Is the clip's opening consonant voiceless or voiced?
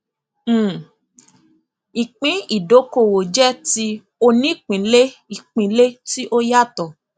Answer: voiceless